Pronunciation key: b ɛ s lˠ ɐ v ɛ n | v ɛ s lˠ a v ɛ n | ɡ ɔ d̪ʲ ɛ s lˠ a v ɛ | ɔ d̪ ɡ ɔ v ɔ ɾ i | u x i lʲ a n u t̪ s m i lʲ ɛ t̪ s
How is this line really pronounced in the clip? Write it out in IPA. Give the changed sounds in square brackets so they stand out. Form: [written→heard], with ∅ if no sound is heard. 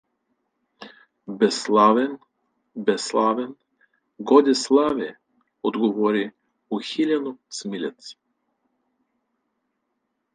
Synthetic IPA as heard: b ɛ s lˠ [ɐ→a] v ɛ n | [v→b] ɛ s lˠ a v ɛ n | ɡ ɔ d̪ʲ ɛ s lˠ a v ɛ | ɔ d̪ ɡ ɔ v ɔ ɾ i | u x i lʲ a n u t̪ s m i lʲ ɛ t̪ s